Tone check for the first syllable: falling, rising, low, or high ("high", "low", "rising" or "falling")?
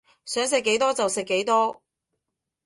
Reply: rising